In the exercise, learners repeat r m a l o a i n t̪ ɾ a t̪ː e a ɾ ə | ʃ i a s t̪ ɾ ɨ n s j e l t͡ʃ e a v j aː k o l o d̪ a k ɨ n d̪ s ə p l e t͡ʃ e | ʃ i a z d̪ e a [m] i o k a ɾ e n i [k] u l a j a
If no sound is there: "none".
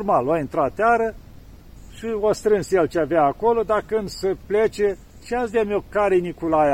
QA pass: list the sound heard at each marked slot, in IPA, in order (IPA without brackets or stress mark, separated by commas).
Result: m, k